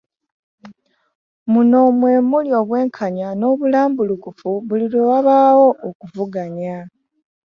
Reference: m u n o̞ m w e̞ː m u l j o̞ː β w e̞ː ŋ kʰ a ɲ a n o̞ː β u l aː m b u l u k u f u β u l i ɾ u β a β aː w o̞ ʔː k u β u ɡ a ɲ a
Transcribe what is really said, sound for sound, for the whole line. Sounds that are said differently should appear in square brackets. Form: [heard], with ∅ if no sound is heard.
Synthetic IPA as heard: m u n o̞ m w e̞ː m u l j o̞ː β w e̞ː ŋ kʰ a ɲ a n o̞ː β u l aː m b u l u k u f u β u l i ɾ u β a β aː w o̞ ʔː k u [v] u ɡ a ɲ a